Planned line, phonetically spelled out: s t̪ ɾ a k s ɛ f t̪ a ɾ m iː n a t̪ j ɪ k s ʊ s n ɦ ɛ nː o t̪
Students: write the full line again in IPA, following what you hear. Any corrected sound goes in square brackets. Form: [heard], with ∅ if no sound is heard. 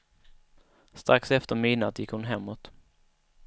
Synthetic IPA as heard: s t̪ ɾ a k s ɛ f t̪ [ə] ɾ m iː n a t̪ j ɪ k [h] ʊ [∅] n ɦ ɛ [mː] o t̪